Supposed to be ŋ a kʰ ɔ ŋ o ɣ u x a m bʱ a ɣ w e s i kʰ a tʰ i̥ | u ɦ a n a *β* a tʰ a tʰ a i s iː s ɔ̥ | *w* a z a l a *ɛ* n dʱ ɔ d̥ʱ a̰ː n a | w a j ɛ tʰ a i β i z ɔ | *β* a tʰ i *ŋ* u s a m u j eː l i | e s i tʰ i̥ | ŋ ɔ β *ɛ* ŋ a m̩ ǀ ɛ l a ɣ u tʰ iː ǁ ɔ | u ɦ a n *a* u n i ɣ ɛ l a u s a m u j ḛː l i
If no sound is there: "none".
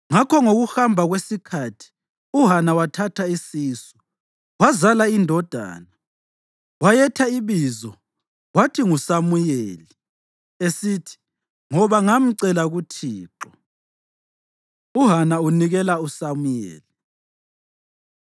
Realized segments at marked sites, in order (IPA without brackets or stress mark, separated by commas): w, w, i, w, ŋ, a, a